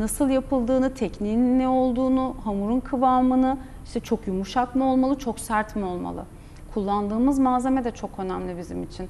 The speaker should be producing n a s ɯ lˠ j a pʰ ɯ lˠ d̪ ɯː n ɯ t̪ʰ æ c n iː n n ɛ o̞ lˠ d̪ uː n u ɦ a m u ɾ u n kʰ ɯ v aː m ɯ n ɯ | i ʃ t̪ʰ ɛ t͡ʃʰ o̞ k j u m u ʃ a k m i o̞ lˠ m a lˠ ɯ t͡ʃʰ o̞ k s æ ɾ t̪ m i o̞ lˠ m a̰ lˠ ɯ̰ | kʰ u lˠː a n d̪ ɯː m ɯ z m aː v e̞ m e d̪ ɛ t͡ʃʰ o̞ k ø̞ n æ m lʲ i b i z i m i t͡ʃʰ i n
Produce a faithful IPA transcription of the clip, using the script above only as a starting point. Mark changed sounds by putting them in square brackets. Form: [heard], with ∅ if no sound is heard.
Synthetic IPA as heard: n a s ɯ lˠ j a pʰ ɯ lˠ d̪ ɯː n ɯ t̪ʰ [ɛ] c n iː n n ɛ o̞ lˠ d̪ uː n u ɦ a m u ɾ u n kʰ ɯ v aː m ɯ n ɯ | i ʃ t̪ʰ ɛ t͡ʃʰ o̞ k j u m u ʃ a k m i o̞ lˠ m a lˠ ɯ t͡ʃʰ o̞ k s æ ɾ t̪ m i o̞ lˠ m a̰ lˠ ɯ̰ | kʰ u lˠː a n d̪ ɯː m ɯ z m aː [z] e̞ m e d̪ ɛ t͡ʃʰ o̞ k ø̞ n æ m lʲ i b i z i m i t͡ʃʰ i n